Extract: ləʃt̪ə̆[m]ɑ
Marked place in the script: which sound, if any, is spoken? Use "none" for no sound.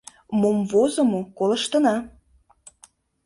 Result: n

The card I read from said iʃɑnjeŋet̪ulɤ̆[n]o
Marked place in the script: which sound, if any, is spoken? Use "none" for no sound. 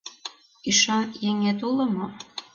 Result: m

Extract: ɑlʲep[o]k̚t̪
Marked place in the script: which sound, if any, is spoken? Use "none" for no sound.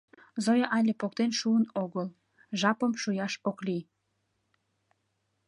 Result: o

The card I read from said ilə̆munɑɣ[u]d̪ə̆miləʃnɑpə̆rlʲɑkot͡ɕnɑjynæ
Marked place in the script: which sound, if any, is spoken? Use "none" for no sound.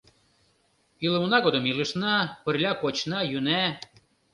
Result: o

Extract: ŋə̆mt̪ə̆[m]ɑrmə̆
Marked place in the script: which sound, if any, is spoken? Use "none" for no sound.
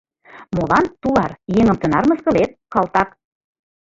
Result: n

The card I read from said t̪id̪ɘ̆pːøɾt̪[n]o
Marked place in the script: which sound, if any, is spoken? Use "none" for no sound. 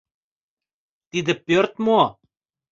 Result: m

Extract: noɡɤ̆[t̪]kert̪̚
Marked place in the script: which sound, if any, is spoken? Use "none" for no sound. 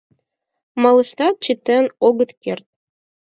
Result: t̪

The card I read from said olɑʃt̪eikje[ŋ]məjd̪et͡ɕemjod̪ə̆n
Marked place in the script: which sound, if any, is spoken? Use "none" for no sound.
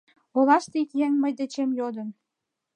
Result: ŋ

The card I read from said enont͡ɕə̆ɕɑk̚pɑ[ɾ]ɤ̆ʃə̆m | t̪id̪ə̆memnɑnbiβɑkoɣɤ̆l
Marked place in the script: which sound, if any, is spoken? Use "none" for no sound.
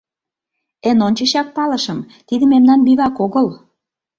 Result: l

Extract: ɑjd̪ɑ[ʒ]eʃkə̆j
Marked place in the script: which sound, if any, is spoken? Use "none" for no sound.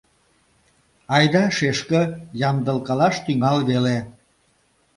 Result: ʃ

